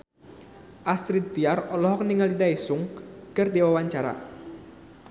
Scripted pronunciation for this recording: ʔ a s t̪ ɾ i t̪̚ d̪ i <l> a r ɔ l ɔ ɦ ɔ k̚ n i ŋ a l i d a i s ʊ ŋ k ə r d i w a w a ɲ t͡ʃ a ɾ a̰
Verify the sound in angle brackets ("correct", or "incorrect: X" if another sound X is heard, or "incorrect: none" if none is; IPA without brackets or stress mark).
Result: incorrect: none